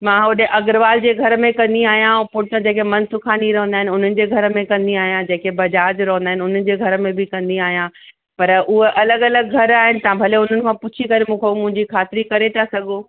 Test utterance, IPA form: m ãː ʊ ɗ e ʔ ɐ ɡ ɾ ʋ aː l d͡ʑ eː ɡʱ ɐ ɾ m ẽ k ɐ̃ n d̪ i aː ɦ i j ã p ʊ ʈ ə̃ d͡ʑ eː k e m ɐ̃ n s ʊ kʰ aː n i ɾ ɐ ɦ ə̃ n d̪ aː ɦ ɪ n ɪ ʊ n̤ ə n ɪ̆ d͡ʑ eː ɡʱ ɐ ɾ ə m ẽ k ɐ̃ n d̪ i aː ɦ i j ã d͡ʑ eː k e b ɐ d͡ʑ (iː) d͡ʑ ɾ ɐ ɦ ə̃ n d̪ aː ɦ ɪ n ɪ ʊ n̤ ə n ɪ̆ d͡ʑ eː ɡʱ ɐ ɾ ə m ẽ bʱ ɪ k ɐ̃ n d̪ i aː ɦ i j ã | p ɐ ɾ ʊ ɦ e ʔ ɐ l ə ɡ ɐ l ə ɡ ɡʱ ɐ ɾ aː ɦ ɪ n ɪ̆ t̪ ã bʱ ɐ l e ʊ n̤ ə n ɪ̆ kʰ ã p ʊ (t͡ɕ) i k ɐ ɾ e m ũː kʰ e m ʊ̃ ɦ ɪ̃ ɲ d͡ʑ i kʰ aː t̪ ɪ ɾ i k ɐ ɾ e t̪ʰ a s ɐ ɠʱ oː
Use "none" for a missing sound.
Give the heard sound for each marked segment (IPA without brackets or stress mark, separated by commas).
aː, t͡ɕʰ